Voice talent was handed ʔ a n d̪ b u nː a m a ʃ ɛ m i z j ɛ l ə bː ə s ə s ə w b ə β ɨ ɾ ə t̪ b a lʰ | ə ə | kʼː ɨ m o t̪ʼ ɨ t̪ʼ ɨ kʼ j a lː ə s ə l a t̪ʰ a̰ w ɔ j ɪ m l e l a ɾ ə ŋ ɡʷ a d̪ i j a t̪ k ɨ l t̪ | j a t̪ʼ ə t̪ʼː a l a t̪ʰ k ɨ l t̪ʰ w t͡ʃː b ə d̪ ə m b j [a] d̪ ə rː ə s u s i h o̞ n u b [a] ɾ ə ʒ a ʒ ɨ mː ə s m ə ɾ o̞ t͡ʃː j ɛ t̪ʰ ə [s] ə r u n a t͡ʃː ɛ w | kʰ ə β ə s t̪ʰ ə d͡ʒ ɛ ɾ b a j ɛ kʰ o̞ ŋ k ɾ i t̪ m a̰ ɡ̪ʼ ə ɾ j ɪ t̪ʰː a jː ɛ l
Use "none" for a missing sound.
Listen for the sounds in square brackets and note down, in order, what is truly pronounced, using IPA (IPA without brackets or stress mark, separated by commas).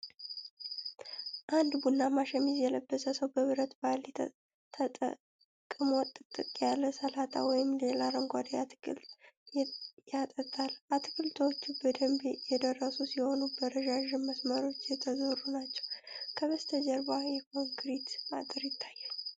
ɛ, ə, z